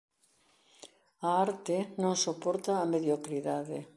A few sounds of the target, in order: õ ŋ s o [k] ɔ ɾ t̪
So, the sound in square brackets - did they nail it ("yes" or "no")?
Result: no